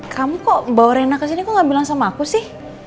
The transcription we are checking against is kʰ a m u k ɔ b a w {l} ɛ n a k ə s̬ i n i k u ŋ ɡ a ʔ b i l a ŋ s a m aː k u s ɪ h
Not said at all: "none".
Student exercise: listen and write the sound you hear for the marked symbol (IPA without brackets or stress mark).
ɾ